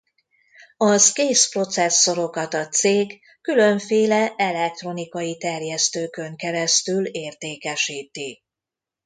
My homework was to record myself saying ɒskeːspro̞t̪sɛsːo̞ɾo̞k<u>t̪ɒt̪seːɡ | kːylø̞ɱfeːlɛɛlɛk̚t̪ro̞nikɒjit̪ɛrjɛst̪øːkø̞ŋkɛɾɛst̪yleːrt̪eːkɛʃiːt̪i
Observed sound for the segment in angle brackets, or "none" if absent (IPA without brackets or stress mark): ɒ